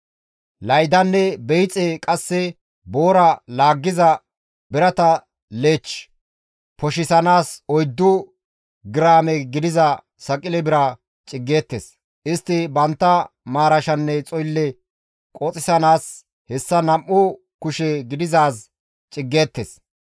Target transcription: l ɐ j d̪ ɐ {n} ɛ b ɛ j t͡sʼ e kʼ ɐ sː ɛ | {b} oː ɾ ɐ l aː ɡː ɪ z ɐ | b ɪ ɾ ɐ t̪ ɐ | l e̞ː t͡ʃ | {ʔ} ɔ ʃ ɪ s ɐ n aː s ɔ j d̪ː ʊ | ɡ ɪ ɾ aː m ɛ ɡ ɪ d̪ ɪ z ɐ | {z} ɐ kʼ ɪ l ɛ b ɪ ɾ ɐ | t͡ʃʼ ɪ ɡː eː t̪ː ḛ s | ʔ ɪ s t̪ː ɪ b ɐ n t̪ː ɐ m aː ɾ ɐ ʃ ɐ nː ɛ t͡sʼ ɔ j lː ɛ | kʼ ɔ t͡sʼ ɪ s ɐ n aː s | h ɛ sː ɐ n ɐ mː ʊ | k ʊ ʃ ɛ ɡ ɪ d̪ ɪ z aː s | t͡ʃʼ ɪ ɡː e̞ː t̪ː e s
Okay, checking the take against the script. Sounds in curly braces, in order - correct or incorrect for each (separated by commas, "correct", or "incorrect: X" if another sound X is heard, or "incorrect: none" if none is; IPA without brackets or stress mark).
incorrect: nː, correct, incorrect: p, incorrect: s